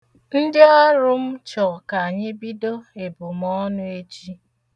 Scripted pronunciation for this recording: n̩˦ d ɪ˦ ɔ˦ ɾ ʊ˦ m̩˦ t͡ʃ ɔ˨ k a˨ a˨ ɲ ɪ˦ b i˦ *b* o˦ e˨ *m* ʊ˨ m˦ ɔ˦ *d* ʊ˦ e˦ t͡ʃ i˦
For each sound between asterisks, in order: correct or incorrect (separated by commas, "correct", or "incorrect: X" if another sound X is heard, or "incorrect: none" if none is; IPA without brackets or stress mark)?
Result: incorrect: d, incorrect: b, incorrect: n